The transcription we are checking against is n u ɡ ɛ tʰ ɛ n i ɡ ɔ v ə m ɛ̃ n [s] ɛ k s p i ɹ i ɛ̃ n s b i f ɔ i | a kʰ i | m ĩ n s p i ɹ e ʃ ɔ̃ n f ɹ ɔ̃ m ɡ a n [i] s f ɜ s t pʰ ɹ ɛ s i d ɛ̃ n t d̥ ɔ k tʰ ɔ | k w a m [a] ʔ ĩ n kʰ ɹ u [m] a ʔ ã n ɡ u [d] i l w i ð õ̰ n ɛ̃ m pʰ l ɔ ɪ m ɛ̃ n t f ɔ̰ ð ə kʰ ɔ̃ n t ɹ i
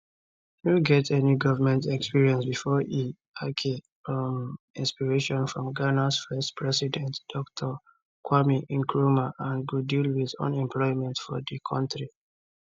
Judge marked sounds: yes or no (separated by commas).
no, no, no, yes, yes